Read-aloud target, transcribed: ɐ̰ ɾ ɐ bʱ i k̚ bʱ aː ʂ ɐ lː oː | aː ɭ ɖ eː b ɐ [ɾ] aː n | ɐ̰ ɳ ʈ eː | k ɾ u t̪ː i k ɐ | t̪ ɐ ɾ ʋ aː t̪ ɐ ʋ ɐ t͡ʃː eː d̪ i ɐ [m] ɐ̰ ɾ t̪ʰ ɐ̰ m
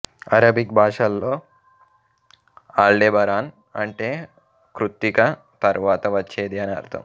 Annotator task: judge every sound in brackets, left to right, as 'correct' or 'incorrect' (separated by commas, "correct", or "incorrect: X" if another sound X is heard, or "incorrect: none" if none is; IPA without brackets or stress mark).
correct, incorrect: n